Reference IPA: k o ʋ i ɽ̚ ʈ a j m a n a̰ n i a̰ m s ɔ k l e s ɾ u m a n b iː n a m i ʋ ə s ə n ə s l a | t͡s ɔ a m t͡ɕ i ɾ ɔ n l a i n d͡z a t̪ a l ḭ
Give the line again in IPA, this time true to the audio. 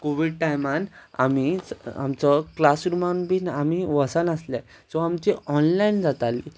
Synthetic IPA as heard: k o ʋ i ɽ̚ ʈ a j m a n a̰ m i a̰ m t͡s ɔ k l a s ɾ u m a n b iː n a m i ʋ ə s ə n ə s l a | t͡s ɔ a m t͡ɕ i ɔ n l a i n d͡z a t̪ a l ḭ